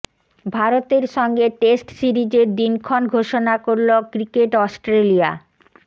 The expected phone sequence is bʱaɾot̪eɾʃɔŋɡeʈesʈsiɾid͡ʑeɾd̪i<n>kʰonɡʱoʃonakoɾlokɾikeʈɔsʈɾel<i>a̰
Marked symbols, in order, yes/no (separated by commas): yes, yes